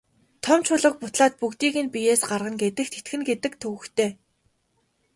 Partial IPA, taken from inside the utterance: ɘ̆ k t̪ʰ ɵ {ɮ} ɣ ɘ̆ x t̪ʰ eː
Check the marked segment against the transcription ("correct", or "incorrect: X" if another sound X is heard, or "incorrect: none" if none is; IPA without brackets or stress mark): incorrect: none